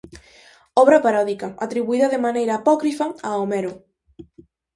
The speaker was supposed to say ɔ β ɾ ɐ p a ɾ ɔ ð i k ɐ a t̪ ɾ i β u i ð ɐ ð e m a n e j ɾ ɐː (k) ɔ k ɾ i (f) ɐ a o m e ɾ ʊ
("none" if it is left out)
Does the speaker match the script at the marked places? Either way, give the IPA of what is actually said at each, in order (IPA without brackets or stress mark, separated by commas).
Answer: p, f